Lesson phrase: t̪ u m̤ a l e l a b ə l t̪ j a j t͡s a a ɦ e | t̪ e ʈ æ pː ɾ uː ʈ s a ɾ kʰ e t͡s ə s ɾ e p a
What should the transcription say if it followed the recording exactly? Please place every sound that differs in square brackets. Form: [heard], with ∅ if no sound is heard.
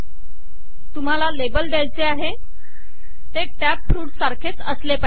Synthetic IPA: t̪ u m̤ a l [a] l [e] b ə l [d̪] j a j t͡s [e] a ɦ e | t̪ e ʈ æ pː ɾ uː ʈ s a ɾ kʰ e t͡s ə s [l] e p a